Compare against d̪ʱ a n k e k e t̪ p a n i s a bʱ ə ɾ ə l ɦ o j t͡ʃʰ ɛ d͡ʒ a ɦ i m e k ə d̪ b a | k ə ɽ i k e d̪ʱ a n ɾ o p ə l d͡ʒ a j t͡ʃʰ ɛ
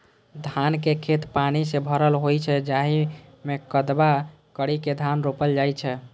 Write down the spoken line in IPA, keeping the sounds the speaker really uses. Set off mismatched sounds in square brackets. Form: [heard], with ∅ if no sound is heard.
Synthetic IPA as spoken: d̪ʱ a n k e [kʰ] e t̪ p a n i s [e] bʱ ə ɾ ə l ɦ o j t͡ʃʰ ɛ d͡ʒ a ɦ i m e k ə d̪ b a | k ə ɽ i k e d̪ʱ a n ɾ o p ə l d͡ʒ a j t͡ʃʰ ɛ